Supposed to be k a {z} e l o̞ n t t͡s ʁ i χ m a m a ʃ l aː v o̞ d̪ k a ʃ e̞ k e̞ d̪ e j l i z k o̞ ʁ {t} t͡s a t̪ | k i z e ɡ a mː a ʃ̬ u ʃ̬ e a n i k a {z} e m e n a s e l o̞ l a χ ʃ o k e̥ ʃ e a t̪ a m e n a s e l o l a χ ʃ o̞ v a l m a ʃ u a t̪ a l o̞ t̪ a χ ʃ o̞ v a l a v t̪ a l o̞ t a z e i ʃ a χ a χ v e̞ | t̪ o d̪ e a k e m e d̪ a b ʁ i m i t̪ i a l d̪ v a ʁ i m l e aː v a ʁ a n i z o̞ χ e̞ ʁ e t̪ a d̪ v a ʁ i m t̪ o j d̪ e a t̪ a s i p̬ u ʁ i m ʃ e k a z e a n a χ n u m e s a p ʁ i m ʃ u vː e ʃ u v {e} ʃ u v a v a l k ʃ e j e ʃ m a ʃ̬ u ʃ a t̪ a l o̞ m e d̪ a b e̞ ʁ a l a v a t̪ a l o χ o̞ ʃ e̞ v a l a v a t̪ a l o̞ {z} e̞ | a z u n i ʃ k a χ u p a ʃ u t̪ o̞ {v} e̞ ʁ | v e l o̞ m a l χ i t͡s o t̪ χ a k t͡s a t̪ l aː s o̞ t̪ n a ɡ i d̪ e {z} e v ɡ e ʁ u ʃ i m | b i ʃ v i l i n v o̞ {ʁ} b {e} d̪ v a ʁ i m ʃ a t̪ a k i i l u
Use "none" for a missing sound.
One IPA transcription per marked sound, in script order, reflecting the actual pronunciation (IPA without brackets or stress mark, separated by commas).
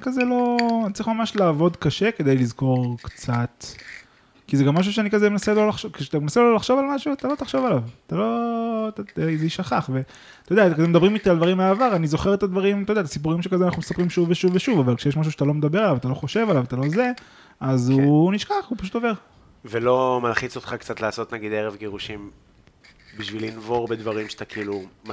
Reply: z, k, z, e, z, v, ʁ, ʁ, e